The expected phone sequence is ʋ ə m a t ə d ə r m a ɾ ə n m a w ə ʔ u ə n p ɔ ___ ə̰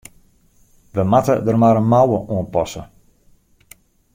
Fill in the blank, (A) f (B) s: B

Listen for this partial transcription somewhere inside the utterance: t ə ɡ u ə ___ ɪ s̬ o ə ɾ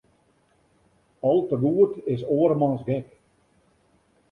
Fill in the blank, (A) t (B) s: A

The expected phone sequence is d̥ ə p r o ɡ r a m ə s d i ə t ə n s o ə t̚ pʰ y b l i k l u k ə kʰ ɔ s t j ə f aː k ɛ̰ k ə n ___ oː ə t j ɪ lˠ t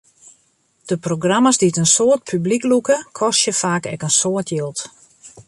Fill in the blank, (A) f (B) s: B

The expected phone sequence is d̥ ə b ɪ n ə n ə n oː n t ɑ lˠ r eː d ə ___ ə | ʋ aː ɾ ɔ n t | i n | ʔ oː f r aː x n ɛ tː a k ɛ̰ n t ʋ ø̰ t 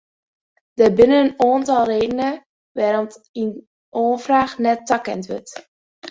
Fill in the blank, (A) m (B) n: B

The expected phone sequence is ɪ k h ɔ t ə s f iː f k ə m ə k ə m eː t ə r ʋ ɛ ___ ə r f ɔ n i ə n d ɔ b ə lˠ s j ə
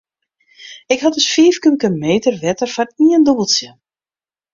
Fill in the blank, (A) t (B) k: A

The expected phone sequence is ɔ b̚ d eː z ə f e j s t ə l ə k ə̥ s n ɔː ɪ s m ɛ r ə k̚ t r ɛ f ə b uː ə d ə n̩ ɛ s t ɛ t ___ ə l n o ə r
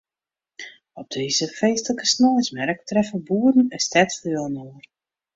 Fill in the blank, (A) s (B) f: B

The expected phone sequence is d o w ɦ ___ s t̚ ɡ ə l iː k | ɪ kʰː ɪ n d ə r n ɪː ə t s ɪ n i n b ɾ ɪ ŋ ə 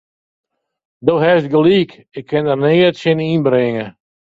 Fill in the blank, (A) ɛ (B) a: A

